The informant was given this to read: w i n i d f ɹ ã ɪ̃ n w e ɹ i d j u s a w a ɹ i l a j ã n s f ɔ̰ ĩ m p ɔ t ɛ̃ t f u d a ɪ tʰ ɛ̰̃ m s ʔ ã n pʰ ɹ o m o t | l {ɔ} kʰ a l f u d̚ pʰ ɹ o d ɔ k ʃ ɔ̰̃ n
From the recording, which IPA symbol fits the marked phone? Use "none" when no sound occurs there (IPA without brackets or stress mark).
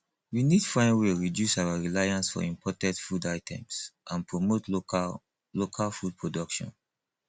o